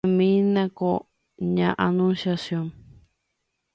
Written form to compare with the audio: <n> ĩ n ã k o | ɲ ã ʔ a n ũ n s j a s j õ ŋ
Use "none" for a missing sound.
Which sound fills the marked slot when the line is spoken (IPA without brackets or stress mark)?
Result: m